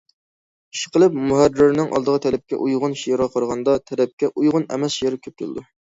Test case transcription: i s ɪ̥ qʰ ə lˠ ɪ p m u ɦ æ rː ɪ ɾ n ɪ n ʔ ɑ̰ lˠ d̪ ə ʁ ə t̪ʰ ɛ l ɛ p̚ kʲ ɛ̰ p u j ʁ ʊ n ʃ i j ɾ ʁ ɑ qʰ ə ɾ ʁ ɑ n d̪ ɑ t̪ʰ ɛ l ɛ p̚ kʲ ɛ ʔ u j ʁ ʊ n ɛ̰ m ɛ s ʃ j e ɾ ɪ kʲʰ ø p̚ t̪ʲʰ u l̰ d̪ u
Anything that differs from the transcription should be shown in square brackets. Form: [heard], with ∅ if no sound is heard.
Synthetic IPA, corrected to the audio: i [ʃ] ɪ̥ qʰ ə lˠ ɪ p m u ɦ æ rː ɪ ɾ n ɪ [ŋ] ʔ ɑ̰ lˠ d̪ ə ʁ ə t̪ʰ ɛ l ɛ p̚ kʲ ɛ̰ [ʔ] u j ʁ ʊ n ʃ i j ɾ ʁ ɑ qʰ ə ɾ ʁ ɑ n d̪ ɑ t̪ʰ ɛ l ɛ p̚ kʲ ɛ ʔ u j ʁ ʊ n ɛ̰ m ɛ s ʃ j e ɾ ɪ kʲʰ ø p̚ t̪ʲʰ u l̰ d̪ u